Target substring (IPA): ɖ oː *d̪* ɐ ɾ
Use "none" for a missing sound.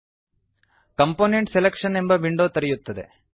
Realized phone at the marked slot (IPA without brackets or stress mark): t̪